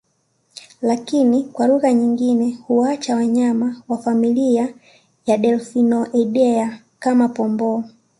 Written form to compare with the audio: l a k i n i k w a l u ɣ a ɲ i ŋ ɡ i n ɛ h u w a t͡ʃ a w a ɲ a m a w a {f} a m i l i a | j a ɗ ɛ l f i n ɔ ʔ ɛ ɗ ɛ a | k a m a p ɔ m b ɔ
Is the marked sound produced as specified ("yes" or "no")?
yes